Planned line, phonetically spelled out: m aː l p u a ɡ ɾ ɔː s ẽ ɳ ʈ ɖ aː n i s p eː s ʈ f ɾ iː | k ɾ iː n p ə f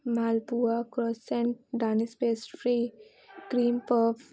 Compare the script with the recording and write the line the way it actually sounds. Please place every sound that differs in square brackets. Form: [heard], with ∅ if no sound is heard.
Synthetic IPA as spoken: m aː l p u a [k] ɾ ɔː s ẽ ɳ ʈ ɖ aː n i s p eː s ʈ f ɾ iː | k ɾ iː [m] p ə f